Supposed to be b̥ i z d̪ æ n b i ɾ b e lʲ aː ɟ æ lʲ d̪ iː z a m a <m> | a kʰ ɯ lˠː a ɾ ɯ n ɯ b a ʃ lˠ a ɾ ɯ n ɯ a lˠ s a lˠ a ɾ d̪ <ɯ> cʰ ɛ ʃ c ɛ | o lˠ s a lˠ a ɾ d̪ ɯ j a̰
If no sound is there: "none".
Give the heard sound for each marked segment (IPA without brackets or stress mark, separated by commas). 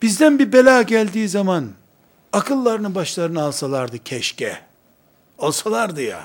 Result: n, ɯ